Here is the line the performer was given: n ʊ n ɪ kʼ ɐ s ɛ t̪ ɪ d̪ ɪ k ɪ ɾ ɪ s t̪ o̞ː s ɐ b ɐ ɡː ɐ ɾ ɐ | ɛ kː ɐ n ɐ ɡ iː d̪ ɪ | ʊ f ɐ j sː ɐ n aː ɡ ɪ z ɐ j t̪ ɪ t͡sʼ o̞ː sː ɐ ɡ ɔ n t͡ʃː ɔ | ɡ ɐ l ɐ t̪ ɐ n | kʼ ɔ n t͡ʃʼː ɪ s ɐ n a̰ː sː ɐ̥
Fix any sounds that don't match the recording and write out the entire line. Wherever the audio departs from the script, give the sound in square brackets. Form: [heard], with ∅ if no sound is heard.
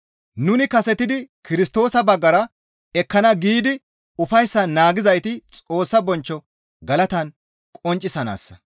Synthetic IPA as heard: n ʊ n ɪ [k] ɐ s ɛ t̪ ɪ d̪ ɪ k ɪ ɾ ɪ s t̪ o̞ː s ɐ b ɐ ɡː ɐ ɾ ɐ | ɛ kː ɐ n ɐ ɡ iː d̪ ɪ | ʊ f ɐ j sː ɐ n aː ɡ ɪ z ɐ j t̪ ɪ t͡sʼ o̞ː sː ɐ [b] ɔ n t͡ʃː ɔ | ɡ ɐ l ɐ t̪ ɐ n | kʼ ɔ n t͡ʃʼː ɪ s ɐ n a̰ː sː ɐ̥